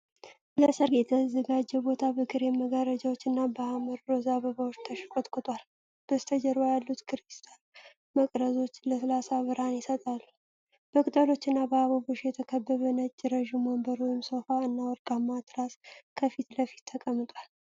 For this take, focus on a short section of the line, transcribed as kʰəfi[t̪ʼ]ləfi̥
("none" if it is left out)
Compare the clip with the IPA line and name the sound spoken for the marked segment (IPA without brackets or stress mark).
t̪